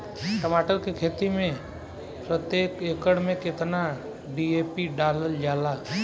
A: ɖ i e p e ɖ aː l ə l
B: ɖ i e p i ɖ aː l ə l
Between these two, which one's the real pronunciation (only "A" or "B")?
B